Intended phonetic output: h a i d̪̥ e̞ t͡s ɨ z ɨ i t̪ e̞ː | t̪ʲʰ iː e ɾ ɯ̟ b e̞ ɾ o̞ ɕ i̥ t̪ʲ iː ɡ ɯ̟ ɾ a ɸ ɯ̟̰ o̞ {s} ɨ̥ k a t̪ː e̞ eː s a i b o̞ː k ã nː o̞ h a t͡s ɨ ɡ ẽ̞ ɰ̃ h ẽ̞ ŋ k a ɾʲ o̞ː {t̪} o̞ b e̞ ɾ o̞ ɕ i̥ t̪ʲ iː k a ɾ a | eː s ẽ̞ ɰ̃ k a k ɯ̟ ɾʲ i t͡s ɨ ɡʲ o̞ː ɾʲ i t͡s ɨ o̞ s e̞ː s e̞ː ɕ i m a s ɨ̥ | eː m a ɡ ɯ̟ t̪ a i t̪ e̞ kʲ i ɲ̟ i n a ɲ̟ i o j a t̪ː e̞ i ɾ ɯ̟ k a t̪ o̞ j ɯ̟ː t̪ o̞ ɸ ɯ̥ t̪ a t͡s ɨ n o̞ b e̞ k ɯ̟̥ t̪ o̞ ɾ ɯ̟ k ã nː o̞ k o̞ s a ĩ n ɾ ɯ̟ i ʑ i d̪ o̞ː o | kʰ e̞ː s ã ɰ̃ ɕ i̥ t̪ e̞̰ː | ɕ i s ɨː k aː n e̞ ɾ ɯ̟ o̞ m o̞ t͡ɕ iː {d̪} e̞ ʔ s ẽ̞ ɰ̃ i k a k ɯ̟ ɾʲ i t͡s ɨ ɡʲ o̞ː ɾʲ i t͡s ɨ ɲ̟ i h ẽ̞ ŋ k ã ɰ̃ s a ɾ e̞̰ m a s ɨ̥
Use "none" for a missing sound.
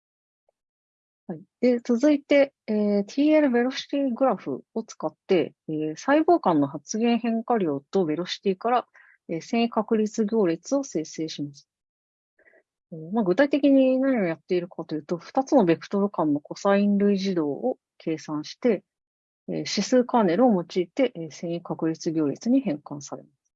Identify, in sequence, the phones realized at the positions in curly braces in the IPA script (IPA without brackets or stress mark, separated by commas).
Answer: t͡s, t̪, t̪